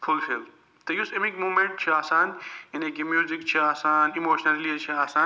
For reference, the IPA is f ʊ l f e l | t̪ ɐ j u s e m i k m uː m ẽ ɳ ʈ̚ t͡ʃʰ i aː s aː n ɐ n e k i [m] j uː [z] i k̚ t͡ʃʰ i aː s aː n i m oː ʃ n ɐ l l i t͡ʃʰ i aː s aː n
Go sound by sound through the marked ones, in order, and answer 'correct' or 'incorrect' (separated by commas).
correct, correct